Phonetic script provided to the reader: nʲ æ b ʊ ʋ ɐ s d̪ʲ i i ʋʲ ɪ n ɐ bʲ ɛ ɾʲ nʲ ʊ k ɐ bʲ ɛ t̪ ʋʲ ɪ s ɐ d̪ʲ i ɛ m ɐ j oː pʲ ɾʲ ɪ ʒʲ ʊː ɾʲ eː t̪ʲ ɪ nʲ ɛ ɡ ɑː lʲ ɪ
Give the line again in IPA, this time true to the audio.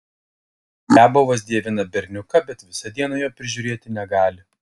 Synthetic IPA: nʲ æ b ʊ ʋ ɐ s d̪ʲ i ɛ ʋʲ ɪ n ɐ bʲ ɛ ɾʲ nʲ ʊ k ɐ bʲ ɛ t̪ ʋʲ ɪ s ɐ d̪ʲ i ɛ n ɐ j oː pʲ ɾʲ ɪ ʒʲ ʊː ɾʲ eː t̪ʲ ɪ nʲ ɛ ɡ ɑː lʲ ɪ